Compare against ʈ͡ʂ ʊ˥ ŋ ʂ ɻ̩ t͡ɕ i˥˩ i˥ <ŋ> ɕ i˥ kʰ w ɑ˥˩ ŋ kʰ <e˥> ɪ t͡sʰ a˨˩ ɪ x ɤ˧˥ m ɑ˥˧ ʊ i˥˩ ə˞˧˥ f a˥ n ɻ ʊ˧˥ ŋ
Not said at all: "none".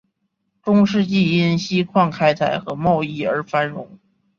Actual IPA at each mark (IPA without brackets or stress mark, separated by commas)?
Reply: n, a˥